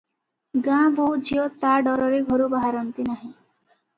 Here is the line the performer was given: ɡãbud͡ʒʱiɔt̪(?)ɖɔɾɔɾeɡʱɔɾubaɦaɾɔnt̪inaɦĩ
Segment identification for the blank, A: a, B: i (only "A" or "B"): A